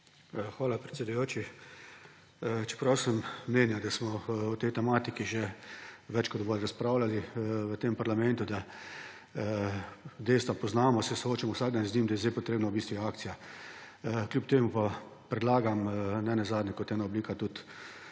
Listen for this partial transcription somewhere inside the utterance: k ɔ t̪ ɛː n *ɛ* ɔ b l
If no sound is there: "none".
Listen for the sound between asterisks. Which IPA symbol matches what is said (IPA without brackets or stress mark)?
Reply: a